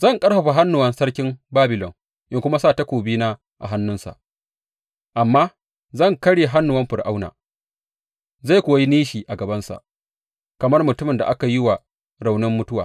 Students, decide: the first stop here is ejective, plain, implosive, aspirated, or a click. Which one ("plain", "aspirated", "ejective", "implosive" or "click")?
ejective